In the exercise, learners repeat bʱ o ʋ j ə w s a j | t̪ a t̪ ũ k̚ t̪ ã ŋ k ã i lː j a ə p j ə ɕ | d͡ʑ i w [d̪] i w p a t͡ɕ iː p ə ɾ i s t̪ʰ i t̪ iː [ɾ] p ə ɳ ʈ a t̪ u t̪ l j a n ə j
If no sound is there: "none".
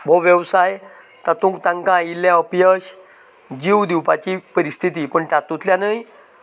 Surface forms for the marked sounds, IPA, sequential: d̪, none

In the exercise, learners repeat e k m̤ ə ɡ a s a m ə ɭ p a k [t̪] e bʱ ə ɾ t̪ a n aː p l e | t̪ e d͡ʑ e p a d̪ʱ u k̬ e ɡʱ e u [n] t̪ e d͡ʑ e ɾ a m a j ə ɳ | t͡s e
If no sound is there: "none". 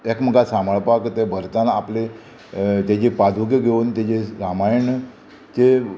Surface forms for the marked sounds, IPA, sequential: t̪, n

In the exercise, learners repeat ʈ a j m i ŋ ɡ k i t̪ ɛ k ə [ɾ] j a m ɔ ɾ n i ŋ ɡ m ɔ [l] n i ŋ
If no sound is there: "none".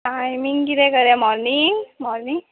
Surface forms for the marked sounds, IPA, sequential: ɾ, ɾ

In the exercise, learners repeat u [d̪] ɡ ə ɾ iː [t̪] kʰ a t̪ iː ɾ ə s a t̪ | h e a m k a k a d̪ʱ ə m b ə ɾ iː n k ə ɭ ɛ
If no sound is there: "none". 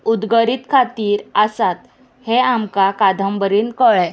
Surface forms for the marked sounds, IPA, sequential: d̪, t̪

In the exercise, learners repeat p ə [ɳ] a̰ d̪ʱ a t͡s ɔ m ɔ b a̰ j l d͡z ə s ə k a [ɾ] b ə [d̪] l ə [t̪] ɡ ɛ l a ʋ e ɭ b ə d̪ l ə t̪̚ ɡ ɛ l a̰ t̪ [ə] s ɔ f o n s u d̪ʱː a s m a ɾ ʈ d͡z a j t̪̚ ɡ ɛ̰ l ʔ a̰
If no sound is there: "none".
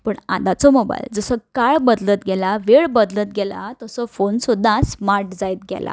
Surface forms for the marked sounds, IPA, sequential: ɳ, ɭ, d̪, t̪, ə

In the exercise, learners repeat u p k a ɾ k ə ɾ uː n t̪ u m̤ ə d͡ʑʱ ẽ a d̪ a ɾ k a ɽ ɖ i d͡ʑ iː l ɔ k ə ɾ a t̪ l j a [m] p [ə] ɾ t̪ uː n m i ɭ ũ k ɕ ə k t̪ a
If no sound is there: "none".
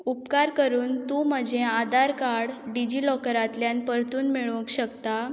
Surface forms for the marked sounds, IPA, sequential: n, ə

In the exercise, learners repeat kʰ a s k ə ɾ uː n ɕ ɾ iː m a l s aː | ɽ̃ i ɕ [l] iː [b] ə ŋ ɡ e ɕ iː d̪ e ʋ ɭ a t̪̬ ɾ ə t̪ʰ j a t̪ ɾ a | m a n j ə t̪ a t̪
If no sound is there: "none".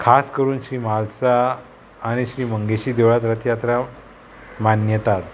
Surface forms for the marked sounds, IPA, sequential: ɾ, m

